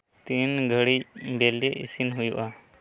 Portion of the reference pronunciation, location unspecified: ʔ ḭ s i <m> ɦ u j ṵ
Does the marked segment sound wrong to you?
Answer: yes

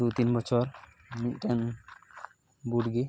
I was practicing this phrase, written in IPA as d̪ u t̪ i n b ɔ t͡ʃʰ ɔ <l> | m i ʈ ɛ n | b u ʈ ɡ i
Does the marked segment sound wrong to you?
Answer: yes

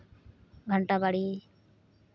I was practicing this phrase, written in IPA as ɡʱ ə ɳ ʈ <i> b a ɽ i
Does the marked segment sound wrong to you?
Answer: yes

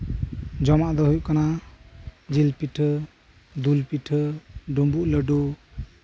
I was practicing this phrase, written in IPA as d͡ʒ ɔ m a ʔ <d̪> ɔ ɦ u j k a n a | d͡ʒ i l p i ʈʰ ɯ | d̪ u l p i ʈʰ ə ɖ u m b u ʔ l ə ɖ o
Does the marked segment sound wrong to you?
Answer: no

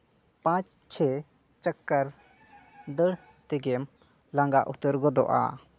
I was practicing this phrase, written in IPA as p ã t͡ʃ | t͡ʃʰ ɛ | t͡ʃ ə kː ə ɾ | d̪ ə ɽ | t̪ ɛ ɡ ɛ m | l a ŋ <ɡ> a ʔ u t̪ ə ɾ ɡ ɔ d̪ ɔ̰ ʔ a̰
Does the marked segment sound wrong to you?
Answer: no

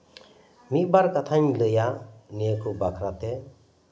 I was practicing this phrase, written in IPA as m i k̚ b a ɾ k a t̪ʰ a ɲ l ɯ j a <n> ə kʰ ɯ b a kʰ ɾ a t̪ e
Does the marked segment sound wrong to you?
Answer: no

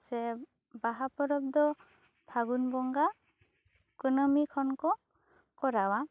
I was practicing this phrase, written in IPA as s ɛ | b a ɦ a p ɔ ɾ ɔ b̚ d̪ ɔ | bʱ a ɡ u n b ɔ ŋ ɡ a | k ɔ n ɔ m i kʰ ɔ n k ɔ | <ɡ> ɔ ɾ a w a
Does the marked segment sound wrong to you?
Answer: yes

